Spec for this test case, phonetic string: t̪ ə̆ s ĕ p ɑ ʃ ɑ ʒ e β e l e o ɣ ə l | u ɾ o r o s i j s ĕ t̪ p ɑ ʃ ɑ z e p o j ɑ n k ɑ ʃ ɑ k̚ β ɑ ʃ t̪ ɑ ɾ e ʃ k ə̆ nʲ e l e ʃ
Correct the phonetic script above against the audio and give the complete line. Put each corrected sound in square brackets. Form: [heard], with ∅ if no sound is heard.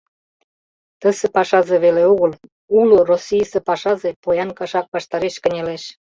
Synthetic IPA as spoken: t̪ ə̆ s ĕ p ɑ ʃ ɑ [z] e β e l e o ɣ ə l | u [l] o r o s i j s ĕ [∅] p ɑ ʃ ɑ z e p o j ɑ n k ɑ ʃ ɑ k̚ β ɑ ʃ t̪ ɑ ɾ e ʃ k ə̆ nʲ e l e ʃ